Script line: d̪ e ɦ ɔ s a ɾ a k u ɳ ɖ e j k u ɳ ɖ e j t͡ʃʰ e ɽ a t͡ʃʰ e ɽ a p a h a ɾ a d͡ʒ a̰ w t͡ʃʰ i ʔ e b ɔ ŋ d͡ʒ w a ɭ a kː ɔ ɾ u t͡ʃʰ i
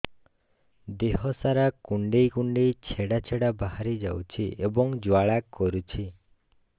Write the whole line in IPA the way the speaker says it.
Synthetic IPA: d̪ e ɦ ɔ s a ɾ a k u ɳ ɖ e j k u ɳ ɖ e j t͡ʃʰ e ɽ a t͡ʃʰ e ɽ a b a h a ɾ i d͡ʒ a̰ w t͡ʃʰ i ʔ e b ɔ ŋ d͡ʒ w a ɭ a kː ɔ ɾ u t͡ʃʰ i